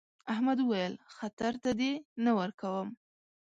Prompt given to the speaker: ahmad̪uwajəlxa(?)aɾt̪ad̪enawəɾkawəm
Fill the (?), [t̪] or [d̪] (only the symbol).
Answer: t̪